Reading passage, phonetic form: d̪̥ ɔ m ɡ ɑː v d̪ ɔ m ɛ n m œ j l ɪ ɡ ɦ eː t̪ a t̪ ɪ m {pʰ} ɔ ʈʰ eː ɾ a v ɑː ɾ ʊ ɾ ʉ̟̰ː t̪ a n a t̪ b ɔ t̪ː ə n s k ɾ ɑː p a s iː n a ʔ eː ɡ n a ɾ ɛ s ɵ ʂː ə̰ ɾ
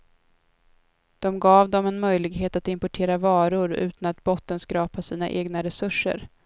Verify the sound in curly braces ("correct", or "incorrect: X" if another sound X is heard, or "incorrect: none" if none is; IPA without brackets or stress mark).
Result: incorrect: p